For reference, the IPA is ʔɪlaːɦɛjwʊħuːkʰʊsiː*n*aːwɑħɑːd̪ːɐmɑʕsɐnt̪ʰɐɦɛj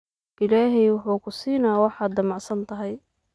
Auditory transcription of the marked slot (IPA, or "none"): n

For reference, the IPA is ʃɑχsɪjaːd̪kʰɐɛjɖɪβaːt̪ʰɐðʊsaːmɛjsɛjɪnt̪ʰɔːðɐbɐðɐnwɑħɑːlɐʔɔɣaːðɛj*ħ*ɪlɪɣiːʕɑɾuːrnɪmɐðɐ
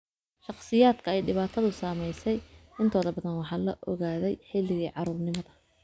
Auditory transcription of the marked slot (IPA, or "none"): ħ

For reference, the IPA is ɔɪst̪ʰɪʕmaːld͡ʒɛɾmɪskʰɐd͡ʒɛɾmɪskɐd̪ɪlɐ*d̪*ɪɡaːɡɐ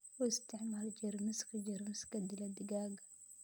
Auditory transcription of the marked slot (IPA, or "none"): d̪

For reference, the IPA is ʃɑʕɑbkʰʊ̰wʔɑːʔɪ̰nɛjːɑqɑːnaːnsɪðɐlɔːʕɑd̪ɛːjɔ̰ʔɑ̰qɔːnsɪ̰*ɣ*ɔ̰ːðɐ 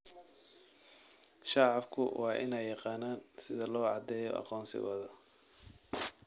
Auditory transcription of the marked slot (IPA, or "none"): ɣ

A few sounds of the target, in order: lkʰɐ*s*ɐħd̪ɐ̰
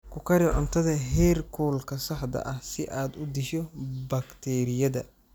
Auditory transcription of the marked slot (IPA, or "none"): s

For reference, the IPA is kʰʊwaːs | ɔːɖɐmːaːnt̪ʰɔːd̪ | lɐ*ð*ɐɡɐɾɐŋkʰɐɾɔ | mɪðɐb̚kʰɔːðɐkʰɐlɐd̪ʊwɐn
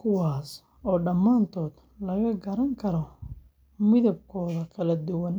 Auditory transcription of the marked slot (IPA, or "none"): ɣ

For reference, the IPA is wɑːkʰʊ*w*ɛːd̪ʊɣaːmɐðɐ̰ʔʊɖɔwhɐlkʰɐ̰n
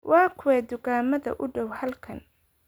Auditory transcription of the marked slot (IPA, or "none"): w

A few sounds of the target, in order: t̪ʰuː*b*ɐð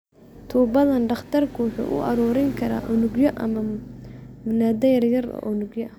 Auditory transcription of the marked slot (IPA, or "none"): b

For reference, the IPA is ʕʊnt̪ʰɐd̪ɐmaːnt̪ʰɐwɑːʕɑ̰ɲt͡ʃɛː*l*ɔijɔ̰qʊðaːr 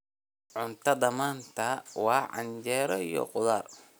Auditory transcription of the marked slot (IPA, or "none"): ɾ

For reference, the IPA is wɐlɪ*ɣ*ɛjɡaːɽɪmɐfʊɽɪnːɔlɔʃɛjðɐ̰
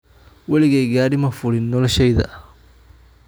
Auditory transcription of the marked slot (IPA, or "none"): ɣ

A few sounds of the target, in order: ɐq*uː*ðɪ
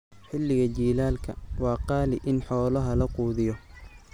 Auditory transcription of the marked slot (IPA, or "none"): uː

